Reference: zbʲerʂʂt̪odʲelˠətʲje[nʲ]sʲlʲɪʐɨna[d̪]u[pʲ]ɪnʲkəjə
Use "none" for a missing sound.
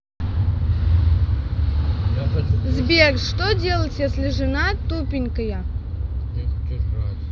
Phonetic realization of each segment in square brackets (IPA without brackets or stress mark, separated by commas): none, t̪, pʲ